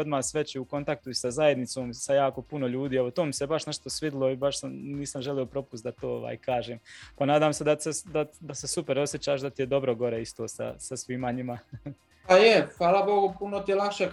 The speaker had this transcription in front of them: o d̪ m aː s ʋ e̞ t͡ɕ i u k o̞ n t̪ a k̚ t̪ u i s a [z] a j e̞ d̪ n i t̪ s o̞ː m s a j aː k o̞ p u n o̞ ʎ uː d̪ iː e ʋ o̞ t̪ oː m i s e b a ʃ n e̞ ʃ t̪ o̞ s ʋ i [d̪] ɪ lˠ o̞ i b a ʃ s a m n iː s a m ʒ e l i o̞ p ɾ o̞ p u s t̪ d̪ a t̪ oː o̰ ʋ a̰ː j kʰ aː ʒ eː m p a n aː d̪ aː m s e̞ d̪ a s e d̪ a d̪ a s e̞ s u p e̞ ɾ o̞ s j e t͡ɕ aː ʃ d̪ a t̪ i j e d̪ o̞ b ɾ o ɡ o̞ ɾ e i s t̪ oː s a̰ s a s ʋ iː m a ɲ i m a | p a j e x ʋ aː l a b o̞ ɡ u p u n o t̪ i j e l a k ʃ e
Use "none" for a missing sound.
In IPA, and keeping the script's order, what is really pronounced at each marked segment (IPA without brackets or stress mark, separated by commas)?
z, d̪